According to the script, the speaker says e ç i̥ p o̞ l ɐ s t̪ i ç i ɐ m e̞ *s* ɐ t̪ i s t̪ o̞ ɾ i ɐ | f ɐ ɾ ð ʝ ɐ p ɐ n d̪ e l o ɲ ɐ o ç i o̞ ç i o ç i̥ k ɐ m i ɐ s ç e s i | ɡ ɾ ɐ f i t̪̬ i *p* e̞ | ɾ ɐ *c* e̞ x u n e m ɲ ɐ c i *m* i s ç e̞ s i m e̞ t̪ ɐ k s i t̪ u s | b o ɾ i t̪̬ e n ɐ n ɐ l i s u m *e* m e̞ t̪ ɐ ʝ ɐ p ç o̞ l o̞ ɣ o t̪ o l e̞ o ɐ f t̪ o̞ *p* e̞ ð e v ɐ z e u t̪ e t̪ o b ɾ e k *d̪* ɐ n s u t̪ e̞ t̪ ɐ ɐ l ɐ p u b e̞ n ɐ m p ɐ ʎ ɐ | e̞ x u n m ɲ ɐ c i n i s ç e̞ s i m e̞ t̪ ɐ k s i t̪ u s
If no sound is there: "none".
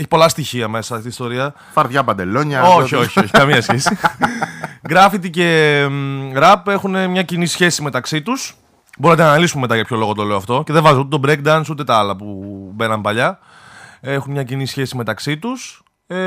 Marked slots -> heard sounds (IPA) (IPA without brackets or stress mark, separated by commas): s, c, p, n, e, c, d̪